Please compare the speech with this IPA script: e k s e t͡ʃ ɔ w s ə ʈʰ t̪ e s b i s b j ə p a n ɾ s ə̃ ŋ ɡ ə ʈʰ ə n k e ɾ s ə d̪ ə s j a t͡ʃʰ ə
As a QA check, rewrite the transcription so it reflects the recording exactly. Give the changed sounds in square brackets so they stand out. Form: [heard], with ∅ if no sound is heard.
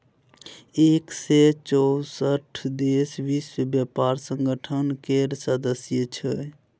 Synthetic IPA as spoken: e k s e t͡ʃ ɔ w s ə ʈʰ [d̪] e s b i s b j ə p a [∅] ɾ s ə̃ ŋ ɡ ə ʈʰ ə n k e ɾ s ə d̪ ə s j [ə] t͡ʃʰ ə